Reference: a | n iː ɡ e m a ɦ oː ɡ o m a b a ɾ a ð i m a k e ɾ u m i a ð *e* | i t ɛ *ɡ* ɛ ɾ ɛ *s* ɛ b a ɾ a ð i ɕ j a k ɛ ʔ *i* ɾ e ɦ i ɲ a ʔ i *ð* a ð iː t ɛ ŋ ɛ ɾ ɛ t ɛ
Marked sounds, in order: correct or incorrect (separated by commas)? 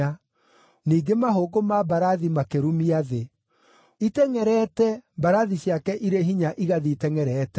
correct, incorrect, incorrect, correct, incorrect